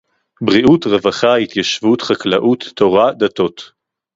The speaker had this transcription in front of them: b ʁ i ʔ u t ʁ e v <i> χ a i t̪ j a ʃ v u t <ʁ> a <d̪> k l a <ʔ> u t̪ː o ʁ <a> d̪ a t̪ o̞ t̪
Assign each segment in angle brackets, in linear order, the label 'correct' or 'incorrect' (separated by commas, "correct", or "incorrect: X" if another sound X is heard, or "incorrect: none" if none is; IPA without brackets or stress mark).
incorrect: a, incorrect: χ, incorrect: none, correct, correct